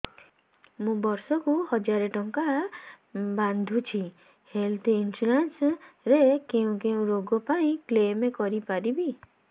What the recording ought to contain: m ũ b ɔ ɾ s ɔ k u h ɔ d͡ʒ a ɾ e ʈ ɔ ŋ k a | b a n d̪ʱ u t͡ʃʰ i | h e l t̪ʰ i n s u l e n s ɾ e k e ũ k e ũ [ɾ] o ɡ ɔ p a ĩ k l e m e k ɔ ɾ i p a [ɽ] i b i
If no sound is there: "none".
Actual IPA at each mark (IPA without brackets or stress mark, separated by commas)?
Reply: ɾ, ɾ